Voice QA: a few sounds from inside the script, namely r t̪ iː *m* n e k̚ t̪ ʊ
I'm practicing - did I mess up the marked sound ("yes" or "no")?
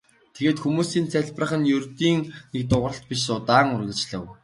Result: yes